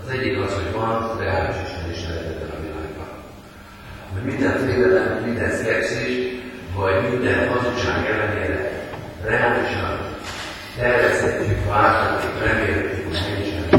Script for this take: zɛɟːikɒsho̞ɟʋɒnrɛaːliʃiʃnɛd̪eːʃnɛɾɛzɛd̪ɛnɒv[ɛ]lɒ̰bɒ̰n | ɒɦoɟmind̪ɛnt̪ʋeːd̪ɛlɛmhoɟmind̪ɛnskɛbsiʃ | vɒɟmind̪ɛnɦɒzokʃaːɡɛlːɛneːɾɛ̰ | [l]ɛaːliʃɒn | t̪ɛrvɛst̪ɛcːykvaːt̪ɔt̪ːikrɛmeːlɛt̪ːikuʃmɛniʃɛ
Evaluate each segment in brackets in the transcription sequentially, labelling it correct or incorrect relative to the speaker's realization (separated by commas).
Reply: incorrect, incorrect